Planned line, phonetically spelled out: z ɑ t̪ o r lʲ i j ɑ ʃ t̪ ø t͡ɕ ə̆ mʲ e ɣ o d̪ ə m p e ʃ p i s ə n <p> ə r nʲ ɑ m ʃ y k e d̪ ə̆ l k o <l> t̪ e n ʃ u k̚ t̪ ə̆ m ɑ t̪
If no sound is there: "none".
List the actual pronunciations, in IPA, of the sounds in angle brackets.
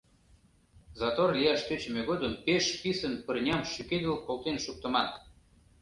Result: p, l

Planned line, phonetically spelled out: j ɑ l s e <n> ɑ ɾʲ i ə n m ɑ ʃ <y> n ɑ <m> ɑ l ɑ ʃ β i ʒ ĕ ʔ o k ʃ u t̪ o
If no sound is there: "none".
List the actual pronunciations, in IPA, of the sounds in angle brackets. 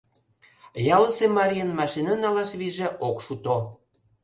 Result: m, i, n

